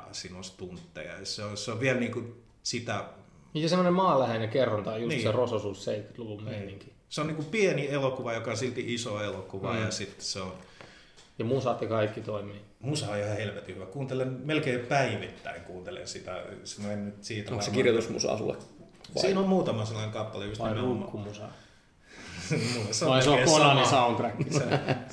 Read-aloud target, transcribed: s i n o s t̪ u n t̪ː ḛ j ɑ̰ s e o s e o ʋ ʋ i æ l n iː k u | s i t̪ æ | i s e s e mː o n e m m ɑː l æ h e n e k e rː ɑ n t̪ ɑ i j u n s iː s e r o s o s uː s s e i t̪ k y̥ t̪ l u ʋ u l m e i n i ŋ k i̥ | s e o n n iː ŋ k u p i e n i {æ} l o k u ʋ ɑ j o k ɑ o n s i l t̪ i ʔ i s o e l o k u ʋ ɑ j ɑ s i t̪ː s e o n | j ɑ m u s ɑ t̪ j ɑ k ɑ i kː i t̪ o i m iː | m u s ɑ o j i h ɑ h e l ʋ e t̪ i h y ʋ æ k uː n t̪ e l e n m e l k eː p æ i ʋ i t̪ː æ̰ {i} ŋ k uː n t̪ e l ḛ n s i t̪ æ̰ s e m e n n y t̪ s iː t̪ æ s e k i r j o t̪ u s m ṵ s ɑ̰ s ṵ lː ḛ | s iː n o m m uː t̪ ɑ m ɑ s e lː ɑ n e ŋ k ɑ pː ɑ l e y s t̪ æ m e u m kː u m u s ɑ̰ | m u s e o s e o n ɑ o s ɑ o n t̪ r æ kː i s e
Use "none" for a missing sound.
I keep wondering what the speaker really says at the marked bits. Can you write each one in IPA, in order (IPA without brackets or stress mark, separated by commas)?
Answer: e, i